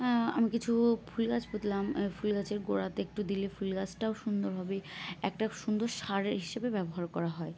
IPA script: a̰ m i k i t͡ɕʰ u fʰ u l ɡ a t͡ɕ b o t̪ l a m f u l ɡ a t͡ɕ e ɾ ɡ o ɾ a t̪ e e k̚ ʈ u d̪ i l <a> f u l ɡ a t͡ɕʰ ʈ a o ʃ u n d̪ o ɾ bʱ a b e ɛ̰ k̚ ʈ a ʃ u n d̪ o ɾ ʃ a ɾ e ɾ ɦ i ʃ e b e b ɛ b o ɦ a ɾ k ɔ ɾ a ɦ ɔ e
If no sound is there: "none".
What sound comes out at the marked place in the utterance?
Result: e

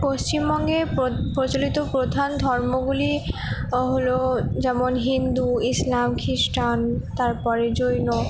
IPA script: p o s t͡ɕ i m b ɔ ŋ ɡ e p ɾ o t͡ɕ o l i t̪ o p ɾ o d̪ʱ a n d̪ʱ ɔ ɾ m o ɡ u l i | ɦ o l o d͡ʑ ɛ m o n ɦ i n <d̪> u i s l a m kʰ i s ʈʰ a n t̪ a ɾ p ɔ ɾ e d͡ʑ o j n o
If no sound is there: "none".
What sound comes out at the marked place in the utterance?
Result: d̪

